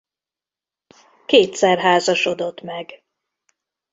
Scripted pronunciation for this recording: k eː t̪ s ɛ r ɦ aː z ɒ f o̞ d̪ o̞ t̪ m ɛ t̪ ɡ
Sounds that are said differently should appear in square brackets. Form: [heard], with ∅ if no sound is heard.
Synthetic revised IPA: k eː t̪ s ɛ r ɦ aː z ɒ [ʃ] o̞ d̪ o̞ t̪ m ɛ [∅] ɡ